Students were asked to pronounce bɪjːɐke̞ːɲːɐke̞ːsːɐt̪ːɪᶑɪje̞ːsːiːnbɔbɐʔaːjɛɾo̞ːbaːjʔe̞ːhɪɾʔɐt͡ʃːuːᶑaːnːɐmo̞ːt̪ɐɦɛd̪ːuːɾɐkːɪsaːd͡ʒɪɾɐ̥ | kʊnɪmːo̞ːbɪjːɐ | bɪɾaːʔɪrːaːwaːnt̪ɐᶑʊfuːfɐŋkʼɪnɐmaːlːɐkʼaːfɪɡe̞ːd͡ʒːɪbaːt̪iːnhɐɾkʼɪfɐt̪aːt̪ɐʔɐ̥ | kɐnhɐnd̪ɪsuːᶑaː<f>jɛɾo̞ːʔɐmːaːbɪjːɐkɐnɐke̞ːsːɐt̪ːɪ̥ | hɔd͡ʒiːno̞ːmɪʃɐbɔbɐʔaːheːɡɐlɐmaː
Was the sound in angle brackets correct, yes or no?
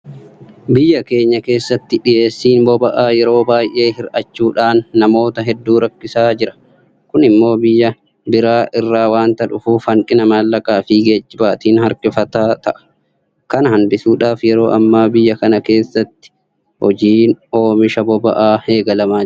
yes